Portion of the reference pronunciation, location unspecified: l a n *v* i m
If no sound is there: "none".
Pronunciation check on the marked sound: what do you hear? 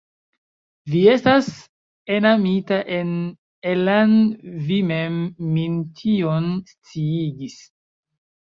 v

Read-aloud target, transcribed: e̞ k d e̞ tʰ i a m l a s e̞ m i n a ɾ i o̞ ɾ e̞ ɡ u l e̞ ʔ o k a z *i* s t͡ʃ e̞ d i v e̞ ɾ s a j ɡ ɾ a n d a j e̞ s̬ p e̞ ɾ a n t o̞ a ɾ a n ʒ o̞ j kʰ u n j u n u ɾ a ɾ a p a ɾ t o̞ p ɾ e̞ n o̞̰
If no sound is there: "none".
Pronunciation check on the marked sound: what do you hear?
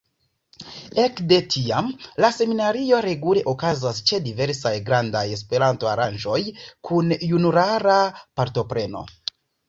a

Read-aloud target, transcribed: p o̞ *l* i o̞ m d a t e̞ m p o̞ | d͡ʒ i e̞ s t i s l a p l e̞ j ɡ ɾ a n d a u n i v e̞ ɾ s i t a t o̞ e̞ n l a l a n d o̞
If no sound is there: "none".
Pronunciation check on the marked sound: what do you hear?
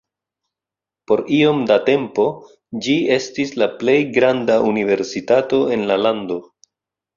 ɾ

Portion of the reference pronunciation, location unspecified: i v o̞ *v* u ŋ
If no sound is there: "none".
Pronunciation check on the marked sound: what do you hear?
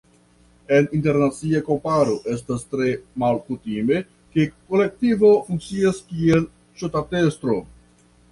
f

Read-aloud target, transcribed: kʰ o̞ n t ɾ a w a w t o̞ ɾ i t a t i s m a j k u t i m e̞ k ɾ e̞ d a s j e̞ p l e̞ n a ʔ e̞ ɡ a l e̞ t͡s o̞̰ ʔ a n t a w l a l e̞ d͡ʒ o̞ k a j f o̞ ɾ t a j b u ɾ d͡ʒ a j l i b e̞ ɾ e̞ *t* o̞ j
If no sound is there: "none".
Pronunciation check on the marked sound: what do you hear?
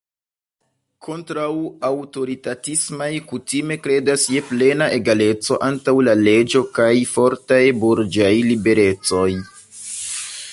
t͡s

